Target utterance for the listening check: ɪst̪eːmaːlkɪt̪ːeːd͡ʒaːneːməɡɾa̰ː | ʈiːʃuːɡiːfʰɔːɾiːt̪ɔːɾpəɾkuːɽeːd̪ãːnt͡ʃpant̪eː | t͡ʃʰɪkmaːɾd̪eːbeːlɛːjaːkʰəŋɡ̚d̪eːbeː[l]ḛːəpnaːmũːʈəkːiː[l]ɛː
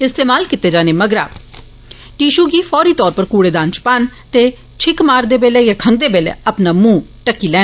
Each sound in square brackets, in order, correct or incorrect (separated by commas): correct, correct